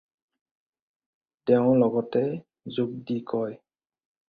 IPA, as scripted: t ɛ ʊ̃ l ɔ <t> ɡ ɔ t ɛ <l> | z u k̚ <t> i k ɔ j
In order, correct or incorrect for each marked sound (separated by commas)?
incorrect, incorrect, incorrect